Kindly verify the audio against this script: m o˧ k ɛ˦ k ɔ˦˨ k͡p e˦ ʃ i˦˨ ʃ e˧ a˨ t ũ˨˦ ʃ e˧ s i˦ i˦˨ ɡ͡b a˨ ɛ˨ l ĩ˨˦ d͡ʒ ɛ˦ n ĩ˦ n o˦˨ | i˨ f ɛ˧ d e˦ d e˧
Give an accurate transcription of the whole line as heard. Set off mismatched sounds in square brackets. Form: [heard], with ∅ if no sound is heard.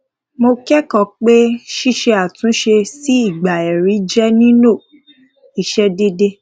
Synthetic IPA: m o˧ k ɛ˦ k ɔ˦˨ k͡p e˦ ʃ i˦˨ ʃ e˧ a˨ t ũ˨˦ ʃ e˧ s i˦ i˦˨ ɡ͡b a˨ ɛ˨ [ɾ] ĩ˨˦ d͡ʒ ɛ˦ n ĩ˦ n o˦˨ | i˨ [ʃ] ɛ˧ d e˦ d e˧